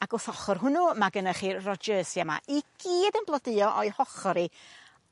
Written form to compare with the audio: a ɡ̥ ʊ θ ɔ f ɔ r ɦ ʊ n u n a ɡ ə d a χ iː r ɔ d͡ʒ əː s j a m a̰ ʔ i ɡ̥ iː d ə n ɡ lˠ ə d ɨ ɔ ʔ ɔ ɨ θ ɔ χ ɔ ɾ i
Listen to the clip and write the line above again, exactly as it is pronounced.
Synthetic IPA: a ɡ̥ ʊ θ ɔ χ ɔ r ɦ ʊ n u m a ɡ ə n a χ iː r ɔ d͡ʒ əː s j a m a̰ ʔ i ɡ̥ iː d ə n b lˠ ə d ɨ ɔ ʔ ɔ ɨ h ɔ χ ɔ ɾ i